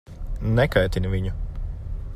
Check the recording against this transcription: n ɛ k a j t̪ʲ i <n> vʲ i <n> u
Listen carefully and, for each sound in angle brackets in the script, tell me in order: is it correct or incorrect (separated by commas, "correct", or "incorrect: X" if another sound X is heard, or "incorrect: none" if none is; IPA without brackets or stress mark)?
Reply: correct, incorrect: ɲ